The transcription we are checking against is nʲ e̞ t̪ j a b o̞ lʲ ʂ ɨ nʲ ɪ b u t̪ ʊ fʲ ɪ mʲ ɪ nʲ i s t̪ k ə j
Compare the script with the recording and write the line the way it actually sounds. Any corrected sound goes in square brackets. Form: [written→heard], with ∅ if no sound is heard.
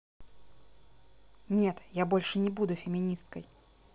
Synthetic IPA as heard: nʲ e̞ t̪ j a b o̞ lʲ ʂ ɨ nʲ ɪ b u [t̪→d̪] ʊ fʲ ɪ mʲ ɪ nʲ i s t̪ k ə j